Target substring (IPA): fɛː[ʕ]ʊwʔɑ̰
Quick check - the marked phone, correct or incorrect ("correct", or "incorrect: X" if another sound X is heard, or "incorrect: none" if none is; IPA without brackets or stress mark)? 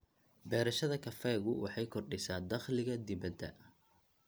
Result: incorrect: ɣ